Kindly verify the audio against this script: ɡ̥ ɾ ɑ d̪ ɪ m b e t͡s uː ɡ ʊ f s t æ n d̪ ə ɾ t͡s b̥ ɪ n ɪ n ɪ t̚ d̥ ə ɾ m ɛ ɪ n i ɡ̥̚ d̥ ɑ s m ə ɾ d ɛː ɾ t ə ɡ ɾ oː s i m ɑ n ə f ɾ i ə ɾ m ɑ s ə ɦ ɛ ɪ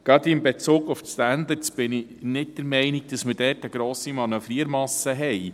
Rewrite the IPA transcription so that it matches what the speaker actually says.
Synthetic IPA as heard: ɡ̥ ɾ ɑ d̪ ɪ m b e t͡s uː ɡ ʊ f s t æ n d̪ ə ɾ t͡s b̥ ɪ n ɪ n ɪ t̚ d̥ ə ɾ m ɛ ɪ n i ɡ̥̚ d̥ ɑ s m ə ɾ d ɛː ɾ t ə ɡ ɾ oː s i m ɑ n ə f ɾ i ə ɾ m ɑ s ə ɦ ɛ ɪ